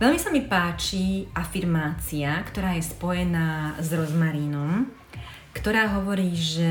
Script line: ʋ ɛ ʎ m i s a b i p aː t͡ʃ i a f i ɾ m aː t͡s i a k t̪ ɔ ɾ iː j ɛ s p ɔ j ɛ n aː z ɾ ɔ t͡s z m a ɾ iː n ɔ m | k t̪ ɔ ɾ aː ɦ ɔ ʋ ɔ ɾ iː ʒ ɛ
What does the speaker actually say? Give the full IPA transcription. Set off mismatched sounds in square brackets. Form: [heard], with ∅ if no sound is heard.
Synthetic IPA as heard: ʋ ɛ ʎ m i s a [m] i p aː t͡ʃ i a f i ɾ m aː t͡s i a k t̪ ɔ ɾ [aː] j ɛ s p ɔ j ɛ n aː z ɾ ɔ [∅] z m a ɾ iː n ɔ m | k t̪ ɔ ɾ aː ɦ ɔ ʋ ɔ ɾ iː ʒ ɛ